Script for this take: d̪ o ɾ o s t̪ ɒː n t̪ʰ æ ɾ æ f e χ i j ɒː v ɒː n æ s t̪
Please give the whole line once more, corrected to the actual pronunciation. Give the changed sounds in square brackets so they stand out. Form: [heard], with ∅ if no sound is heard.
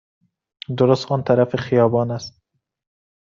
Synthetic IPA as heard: d̪ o ɾ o s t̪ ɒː n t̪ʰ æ ɾ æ f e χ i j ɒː [b] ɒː n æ s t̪